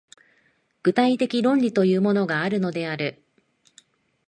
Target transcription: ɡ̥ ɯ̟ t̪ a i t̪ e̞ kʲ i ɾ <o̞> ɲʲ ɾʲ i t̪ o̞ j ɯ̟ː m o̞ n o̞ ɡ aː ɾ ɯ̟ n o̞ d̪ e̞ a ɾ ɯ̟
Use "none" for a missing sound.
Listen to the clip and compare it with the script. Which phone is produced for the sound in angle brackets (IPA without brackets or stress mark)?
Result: õ̞